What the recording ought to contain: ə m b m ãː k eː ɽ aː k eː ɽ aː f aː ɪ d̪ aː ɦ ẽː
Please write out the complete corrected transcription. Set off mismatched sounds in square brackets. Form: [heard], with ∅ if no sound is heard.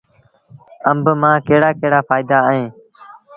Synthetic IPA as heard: ə m b m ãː k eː ɽ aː k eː ɽ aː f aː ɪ d̪ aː ɦ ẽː